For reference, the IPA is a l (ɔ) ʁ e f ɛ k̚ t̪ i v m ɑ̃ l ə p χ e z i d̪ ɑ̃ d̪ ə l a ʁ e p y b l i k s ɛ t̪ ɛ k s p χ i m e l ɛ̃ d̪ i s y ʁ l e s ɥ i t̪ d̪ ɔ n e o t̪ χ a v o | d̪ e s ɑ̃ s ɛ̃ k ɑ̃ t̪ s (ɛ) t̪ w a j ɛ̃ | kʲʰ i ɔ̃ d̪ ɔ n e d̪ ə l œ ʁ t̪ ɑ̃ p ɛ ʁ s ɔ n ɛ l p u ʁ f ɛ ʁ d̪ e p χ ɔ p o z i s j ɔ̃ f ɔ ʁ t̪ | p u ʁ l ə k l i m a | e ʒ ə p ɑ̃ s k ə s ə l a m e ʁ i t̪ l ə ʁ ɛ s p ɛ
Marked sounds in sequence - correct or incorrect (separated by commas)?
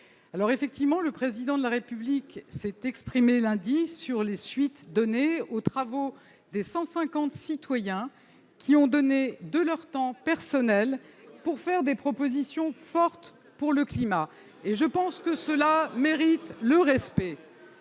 correct, incorrect